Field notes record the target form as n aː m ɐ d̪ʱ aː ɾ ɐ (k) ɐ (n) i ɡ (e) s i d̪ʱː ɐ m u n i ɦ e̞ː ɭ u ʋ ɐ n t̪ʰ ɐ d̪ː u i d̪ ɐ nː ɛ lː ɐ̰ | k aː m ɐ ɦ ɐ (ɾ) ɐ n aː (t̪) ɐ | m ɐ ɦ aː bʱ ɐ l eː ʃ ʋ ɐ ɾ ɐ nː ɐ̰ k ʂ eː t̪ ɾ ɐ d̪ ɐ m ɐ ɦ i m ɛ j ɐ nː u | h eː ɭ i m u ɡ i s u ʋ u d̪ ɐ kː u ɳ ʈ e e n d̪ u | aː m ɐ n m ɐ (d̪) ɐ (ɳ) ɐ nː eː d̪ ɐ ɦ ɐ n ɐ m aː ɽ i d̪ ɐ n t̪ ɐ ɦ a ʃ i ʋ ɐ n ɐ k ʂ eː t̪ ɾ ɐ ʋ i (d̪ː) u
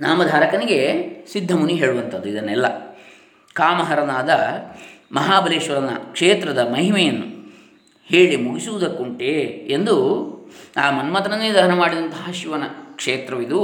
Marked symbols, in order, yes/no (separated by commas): yes, yes, yes, yes, no, no, no, no